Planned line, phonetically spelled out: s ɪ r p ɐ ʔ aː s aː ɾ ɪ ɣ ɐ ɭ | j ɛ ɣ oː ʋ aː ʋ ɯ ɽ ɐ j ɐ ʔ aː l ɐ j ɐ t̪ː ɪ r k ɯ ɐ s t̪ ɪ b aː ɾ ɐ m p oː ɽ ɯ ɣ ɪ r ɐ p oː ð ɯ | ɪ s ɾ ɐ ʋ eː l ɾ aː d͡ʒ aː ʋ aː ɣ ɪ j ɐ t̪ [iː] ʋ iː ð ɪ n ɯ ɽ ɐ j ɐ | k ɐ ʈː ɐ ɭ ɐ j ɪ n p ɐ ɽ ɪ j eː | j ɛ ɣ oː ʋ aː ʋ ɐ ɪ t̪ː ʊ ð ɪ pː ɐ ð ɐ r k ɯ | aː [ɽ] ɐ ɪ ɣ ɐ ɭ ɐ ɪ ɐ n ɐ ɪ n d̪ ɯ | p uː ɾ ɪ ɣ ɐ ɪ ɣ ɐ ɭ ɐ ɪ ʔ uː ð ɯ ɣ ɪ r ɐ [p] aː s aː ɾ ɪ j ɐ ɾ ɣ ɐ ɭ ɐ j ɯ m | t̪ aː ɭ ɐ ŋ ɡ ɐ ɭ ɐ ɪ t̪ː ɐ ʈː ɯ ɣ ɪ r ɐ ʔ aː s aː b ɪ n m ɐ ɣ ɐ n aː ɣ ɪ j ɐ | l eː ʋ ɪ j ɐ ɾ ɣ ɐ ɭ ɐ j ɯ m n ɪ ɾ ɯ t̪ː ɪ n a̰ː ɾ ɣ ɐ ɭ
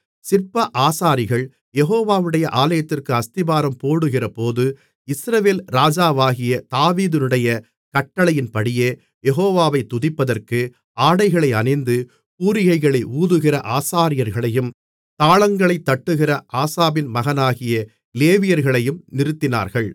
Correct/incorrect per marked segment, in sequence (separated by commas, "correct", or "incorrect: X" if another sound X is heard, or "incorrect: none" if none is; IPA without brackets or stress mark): incorrect: aː, correct, incorrect: ʔ